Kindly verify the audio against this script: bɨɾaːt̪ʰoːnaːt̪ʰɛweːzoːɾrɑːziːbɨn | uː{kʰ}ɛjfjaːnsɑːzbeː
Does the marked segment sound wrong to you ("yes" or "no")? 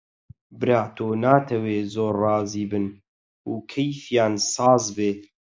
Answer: no